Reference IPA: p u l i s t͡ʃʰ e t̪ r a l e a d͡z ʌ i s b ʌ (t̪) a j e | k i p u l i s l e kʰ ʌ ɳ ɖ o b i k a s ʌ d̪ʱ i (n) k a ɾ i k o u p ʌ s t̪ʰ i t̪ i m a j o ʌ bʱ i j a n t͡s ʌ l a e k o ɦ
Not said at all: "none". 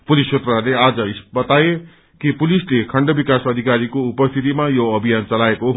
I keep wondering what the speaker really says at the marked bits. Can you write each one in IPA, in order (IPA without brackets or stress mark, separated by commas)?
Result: t̪, none